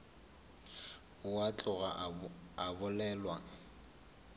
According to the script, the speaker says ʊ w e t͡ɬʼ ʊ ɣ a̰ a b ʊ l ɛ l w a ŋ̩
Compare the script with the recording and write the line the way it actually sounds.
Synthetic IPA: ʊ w a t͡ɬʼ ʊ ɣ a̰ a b ʊ l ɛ l w a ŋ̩